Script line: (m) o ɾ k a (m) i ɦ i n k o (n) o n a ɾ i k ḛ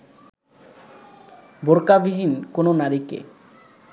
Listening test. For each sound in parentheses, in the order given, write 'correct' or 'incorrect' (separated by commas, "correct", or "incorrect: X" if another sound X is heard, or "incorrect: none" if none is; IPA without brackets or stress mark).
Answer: incorrect: b, incorrect: b, correct